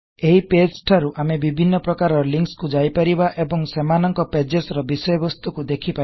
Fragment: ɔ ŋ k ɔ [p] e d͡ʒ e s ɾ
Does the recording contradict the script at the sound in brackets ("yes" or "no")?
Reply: no